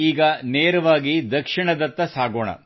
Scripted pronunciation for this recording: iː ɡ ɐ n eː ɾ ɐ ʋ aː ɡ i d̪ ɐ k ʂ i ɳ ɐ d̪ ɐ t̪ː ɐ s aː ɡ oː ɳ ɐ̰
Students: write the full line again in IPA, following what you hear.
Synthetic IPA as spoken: iː ɡ ɐ n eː ɾ ɐ ʋ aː ɡ i d̪ ɐ k ʂ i ɳ ɐ d̪ ɐ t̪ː ɐ s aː ɡ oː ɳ ɐ̰